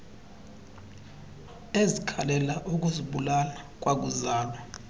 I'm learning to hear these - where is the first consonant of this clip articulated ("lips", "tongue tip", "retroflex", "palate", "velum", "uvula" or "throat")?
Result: tongue tip